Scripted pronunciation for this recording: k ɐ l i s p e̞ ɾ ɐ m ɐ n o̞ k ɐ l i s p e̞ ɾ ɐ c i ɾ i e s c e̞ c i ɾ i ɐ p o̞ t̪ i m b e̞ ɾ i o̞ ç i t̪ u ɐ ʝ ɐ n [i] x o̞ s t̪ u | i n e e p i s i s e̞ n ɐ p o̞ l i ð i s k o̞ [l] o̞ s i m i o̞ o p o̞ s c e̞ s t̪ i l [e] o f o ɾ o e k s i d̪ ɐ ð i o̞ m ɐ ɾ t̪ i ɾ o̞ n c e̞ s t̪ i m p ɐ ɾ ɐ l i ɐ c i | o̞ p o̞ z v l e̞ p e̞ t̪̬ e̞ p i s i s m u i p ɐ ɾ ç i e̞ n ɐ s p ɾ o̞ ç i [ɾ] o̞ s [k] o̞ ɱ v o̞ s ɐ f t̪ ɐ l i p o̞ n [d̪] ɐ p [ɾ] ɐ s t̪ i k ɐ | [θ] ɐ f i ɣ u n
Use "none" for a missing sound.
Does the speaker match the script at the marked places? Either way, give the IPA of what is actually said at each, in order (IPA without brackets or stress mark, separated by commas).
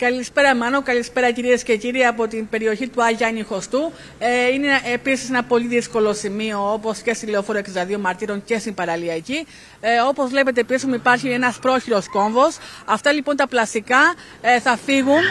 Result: i, l, e, ɾ, k, t̪, l, θ